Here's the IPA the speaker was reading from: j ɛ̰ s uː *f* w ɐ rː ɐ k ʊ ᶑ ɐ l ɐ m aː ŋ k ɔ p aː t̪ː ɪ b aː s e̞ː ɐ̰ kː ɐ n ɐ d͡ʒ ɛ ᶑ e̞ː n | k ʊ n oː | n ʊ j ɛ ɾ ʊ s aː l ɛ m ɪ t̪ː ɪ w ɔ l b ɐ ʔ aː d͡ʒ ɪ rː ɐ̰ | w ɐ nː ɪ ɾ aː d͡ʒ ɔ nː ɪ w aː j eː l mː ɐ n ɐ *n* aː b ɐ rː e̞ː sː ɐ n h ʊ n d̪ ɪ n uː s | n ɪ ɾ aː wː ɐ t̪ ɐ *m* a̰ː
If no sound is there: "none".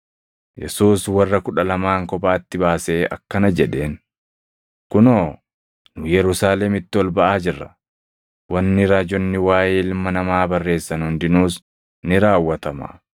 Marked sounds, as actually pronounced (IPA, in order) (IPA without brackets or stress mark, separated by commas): s, m, m